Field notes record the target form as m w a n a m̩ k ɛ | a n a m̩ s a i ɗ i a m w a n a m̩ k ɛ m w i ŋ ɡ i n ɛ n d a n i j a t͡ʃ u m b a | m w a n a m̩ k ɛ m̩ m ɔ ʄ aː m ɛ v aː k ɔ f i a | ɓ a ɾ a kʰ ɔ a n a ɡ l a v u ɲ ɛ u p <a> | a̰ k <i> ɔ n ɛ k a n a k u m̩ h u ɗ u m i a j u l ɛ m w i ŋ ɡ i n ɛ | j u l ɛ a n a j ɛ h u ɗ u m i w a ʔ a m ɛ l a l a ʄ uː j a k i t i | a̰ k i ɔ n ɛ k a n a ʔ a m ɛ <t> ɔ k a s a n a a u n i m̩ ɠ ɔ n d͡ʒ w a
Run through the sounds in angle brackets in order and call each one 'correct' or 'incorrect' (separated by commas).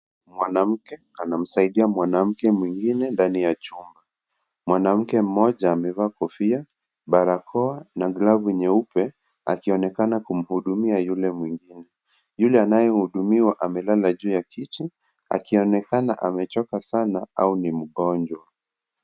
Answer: incorrect, correct, incorrect